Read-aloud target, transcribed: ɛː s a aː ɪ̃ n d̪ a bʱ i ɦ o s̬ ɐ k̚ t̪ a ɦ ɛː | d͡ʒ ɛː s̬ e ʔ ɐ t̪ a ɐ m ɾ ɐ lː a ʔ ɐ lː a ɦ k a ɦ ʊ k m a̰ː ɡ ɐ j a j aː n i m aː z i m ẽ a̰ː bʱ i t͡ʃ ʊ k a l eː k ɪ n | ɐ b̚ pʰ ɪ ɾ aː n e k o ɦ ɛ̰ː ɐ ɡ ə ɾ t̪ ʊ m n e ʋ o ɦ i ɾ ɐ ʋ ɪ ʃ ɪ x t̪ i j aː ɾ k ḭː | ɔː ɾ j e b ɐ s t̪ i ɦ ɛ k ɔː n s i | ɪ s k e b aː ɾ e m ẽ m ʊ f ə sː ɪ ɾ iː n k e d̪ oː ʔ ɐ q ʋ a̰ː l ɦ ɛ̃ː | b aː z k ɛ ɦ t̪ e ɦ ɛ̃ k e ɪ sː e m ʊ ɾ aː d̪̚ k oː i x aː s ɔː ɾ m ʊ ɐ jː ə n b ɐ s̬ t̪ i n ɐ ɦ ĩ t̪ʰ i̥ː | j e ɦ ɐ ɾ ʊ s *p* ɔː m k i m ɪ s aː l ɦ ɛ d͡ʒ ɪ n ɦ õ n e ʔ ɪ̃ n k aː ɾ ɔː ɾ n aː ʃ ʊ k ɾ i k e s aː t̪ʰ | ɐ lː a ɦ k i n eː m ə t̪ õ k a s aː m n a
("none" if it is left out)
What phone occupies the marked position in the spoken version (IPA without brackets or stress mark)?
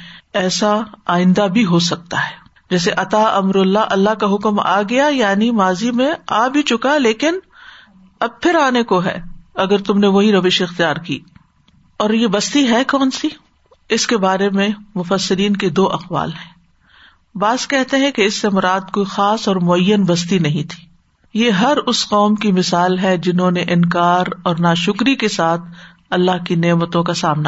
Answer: q